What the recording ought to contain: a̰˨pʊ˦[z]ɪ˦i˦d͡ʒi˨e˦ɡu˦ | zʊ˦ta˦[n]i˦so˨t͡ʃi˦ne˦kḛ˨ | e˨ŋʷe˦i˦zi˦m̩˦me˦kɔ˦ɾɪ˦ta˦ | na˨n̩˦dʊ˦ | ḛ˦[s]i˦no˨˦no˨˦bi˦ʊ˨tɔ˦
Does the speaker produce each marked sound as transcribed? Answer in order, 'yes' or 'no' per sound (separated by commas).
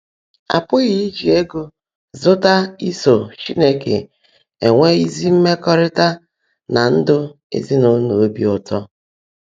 no, no, no